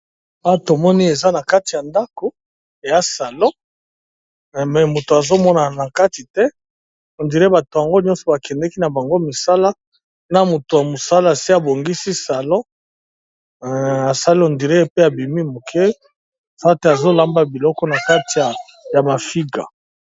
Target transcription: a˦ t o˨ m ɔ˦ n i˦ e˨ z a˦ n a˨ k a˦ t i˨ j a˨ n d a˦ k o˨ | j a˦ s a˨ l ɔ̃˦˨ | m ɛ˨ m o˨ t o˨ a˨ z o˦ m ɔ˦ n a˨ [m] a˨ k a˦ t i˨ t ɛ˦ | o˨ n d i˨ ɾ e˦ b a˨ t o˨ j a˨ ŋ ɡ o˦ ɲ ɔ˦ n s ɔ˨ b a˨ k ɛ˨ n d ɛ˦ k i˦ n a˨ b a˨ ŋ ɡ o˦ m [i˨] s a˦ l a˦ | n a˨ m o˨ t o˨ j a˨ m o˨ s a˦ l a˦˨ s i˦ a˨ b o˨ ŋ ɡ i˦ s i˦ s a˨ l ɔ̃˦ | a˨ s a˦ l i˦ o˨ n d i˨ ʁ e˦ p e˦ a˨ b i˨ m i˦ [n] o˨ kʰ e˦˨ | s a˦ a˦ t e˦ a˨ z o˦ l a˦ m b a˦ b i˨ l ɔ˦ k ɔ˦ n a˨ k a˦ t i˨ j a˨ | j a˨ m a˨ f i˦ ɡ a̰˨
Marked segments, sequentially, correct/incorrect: incorrect: n, correct, incorrect: m

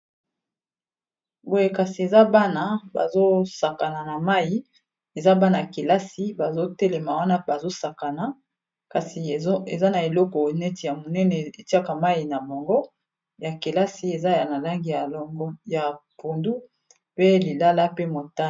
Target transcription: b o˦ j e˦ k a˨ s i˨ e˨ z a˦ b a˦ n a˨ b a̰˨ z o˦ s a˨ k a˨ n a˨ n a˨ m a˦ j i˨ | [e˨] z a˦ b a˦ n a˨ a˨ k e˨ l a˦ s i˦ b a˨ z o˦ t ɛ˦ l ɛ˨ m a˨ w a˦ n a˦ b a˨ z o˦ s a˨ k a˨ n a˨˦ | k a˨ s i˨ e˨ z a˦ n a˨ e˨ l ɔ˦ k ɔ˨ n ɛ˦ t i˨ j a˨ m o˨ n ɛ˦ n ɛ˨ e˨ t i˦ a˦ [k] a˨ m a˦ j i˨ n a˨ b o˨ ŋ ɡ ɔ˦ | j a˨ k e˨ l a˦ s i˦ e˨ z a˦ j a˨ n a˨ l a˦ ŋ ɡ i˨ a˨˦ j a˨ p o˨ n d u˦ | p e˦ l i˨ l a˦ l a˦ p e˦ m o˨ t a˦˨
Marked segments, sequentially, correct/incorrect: correct, correct

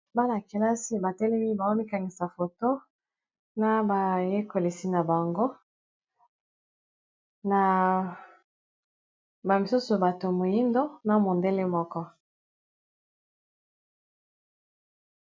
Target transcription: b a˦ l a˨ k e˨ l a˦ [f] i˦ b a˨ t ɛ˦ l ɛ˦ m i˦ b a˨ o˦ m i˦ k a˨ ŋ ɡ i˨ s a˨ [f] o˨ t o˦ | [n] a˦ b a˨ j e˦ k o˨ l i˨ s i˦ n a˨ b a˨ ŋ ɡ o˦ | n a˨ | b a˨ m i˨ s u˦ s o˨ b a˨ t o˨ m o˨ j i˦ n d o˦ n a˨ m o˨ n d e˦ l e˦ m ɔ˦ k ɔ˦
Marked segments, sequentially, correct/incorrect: incorrect: s, correct, correct

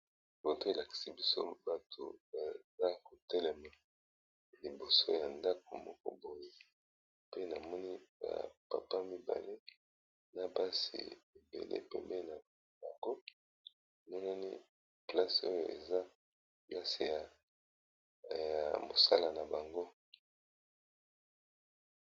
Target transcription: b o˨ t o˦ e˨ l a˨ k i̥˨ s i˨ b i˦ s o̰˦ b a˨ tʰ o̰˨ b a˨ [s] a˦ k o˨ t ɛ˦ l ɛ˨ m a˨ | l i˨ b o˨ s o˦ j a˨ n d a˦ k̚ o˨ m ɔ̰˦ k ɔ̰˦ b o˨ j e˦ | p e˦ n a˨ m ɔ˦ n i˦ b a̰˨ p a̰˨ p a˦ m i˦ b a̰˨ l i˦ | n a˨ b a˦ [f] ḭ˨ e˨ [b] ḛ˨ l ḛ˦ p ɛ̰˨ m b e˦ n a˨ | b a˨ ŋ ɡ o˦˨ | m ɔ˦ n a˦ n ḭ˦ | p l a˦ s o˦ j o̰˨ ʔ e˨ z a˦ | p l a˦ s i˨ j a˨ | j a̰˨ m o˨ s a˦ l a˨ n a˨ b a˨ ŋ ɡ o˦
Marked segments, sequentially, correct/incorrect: incorrect: z, incorrect: s, correct

